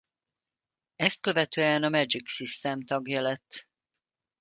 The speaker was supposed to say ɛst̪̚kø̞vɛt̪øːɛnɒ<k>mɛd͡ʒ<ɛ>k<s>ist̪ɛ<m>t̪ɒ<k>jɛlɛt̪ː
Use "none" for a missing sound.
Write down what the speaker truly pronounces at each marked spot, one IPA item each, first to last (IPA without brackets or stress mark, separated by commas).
none, i, s, m, ɡ